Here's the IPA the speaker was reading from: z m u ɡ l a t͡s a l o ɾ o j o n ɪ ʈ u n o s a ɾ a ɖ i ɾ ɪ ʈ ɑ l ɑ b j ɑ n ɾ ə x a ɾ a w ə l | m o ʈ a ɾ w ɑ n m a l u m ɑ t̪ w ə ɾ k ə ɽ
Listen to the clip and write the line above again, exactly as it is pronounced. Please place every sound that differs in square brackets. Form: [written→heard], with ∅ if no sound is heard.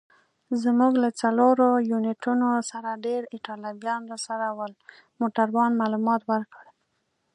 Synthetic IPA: z m u ɡ l a t͡s a l o ɾ o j [o→u] n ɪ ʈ u n o s a ɾ a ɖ [i→e] ɾ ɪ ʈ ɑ l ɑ b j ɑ n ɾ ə [x→s] a ɾ a w ə l | m o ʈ a ɾ w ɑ n m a l u m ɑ t̪ w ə ɾ k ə ɽ